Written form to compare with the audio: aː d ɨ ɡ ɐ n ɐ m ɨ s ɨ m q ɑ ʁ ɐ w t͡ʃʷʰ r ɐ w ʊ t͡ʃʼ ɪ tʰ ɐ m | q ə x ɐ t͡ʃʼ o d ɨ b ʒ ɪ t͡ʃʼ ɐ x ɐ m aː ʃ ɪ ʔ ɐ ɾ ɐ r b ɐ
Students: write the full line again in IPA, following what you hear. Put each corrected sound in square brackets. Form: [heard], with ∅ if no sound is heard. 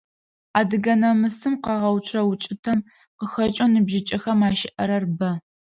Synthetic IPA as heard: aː d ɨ ɡ ɐ n ɐ m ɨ s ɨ m q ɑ ʁ ɐ w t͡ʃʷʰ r ɐ w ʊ t͡ʃʼ ɪ tʰ ɐ m | q ə x ɐ t͡ʃʼ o [n] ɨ b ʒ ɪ t͡ʃʼ ɐ x ɐ m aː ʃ ɪ ʔ ɐ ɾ ɐ r b ɐ